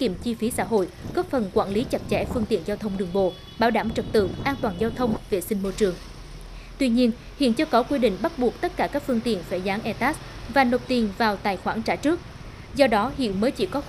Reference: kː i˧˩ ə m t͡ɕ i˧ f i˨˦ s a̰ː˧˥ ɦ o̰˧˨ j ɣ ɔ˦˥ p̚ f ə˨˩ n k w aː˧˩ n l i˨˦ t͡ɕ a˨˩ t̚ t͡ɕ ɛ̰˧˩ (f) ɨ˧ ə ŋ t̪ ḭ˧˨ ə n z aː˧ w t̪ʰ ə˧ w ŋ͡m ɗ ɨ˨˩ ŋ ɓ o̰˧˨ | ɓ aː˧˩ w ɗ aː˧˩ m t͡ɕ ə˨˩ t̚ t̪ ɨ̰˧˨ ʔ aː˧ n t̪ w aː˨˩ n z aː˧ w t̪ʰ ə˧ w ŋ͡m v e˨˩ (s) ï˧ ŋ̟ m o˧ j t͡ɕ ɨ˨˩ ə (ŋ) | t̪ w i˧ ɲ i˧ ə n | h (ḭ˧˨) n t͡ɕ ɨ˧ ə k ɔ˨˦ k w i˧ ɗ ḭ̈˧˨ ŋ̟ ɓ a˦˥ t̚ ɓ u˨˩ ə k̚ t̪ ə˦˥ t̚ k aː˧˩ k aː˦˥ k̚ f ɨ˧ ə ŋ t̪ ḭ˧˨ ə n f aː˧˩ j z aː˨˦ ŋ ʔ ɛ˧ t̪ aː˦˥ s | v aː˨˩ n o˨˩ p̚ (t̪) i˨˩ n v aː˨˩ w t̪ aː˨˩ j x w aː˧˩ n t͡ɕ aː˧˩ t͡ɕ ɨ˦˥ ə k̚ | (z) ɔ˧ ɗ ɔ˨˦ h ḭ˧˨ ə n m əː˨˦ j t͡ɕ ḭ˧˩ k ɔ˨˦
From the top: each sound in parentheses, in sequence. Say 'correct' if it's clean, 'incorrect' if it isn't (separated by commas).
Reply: correct, correct, correct, correct, correct, correct